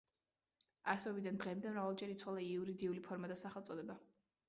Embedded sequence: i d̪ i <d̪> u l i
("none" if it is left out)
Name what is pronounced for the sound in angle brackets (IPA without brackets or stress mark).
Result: none